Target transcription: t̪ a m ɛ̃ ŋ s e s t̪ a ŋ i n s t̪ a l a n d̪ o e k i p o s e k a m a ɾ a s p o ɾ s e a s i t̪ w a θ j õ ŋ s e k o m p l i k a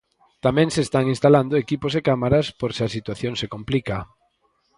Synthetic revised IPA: t̪ a m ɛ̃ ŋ s e s t̪ a ŋ i n s t̪ a l a n d̪ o e k i p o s e k a m a ɾ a s p o ɾ s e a s i t̪ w a θ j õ ŋ s e k o m p l i k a